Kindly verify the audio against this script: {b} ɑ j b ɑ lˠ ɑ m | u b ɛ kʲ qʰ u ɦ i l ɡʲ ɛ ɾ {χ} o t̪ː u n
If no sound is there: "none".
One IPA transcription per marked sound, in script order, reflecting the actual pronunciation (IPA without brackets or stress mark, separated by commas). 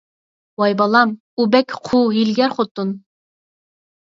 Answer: w, χ